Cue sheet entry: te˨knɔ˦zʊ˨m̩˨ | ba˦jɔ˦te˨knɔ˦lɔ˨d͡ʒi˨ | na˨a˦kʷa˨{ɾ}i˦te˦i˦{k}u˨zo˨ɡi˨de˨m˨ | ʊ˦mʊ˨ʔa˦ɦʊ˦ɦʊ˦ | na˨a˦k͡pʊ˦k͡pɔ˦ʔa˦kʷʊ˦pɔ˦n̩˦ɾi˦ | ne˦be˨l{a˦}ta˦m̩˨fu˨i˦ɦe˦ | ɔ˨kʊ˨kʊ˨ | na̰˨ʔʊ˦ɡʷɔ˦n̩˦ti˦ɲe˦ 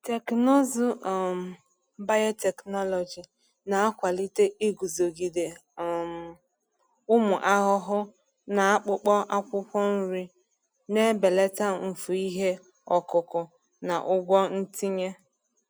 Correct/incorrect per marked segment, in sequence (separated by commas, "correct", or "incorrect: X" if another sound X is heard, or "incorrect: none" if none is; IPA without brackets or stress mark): incorrect: l, incorrect: ɡ, incorrect: e˦